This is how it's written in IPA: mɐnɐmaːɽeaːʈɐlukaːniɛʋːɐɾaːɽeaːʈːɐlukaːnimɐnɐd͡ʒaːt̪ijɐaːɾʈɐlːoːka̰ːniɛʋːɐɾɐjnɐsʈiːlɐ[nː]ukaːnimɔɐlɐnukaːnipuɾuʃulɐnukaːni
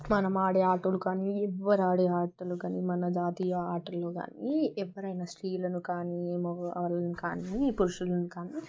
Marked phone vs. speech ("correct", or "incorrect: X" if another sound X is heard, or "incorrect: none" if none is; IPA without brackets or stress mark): incorrect: n